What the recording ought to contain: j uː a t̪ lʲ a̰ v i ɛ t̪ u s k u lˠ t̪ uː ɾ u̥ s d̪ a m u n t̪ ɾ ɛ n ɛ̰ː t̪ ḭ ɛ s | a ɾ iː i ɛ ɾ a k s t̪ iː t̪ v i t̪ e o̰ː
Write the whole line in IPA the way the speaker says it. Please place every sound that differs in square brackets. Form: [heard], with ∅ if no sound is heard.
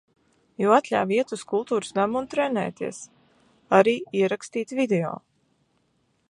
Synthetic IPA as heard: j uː a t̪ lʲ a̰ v i ɛ t̪ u s k u lˠ t̪ uː ɾ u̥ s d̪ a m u n t̪ ɾ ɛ n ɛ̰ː t̪ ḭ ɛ s | a ɾ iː i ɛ ɾ a k s t̪ iː t̪ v i [d̪] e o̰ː